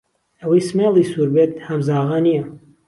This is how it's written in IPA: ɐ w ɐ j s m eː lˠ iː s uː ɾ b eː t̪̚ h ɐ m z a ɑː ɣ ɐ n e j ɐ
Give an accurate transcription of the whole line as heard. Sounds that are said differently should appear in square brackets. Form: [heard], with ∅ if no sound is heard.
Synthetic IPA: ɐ w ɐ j s m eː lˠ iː s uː ɾ b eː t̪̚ h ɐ m z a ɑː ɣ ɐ n [i] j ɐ